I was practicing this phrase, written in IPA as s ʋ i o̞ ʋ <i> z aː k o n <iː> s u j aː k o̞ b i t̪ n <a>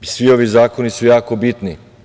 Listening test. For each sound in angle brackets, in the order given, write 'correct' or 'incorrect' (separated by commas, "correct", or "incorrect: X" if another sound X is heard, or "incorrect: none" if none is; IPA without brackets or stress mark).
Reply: correct, incorrect: i, incorrect: i